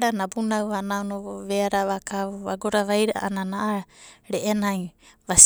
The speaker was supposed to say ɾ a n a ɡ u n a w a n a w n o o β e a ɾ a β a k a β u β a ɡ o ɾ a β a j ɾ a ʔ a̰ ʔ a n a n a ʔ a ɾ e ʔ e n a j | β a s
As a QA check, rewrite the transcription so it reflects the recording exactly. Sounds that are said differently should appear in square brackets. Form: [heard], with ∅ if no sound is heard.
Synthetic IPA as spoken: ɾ a n a [b] u n a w a n a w n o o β e a ɾ a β a k a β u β a ɡ o ɾ a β a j ɾ a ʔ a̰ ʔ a n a n a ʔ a ɾ e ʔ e n a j | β a s